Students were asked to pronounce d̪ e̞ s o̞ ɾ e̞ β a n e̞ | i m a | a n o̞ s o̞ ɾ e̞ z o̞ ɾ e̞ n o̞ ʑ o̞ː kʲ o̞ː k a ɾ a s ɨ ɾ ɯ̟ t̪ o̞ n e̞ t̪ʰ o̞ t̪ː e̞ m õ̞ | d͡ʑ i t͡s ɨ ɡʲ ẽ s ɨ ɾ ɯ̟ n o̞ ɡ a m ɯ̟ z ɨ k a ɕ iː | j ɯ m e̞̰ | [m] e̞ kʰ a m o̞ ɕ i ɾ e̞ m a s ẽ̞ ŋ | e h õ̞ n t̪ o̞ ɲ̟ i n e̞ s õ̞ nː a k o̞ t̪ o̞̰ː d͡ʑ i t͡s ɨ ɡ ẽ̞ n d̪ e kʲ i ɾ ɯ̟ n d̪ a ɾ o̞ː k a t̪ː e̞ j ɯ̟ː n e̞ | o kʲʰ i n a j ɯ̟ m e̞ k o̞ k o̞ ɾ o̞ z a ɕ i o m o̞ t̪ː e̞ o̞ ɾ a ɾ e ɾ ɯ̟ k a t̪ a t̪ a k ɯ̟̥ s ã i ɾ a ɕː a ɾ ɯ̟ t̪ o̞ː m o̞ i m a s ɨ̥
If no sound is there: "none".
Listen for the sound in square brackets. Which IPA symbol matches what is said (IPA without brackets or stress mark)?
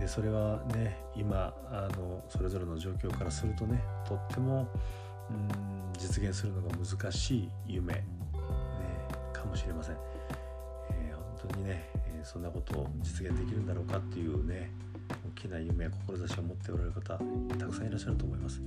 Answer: n